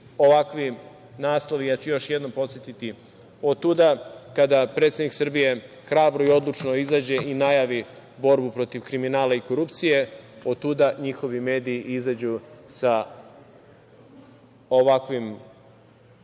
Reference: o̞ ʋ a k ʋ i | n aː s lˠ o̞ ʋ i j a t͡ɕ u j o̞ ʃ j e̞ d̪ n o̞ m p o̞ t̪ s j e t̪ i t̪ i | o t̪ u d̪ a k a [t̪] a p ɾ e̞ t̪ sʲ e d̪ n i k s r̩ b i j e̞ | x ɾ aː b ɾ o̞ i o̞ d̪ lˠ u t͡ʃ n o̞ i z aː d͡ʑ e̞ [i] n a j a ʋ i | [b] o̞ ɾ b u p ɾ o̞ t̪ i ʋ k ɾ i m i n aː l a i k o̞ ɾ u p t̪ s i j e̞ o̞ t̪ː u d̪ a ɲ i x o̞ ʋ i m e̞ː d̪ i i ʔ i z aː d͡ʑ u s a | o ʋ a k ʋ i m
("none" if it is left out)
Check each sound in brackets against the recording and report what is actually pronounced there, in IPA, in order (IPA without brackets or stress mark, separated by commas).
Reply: d̪, i, b